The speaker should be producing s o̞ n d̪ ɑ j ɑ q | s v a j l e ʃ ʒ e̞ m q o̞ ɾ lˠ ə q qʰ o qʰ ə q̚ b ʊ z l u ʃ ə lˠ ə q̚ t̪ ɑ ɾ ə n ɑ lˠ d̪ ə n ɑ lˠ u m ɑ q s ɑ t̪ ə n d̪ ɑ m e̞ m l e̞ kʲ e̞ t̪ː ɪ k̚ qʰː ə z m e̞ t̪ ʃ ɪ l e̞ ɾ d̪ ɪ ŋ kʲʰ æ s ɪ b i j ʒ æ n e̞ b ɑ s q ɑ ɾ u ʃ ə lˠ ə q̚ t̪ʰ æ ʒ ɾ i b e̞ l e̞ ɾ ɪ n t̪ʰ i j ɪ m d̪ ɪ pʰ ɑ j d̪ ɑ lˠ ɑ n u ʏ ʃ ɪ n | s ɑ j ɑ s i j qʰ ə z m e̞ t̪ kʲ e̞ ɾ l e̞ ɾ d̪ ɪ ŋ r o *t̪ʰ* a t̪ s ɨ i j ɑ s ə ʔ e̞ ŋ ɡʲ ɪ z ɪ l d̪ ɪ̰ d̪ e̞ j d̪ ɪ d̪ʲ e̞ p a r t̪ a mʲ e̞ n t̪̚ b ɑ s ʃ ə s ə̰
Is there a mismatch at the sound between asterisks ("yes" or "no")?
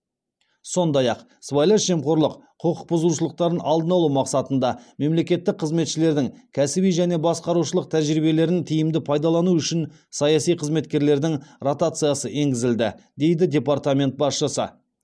yes